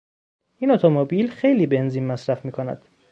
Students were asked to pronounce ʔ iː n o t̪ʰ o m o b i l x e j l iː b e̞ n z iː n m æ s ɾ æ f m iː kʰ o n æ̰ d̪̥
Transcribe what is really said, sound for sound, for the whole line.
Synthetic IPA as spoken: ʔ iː n o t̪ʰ o m o b i l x e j l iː b e̞ n z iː n m æ s ɾ æ f m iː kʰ o n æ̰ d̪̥